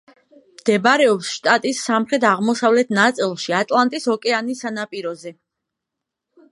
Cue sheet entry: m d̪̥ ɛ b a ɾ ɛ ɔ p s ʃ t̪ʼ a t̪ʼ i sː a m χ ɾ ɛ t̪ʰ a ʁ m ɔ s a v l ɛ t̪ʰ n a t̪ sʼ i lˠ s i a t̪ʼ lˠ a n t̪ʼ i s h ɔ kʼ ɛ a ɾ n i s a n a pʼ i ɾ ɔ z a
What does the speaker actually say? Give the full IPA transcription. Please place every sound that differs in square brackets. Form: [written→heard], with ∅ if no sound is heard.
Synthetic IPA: m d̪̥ ɛ b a ɾ ɛ ɔ p s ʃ t̪ʼ a t̪ʼ i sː a m χ ɾ ɛ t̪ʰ a ʁ m ɔ s a v l ɛ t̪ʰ n a t̪ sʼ i lˠ [s→ʃ] i a t̪ʼ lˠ a n t̪ʼ i s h ɔ kʼ ɛ a [ɾ→∅] n i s a n a pʼ i ɾ ɔ z [a→ɛ]